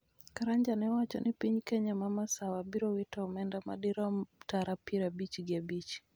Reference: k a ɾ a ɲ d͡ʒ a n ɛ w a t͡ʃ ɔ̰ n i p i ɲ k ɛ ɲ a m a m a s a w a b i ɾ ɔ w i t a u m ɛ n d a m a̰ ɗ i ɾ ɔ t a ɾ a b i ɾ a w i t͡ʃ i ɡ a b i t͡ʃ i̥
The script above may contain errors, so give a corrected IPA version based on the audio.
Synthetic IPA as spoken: k a ɾ a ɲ d͡ʒ a n ɛ w a t͡ʃ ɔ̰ n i p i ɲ k ɛ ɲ a m a m a s a w a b i ɾ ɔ w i t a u m ɛ n d a m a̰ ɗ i ɾ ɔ t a ɾ a p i ɾ a b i t͡ʃ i ɡ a b i t͡ʃ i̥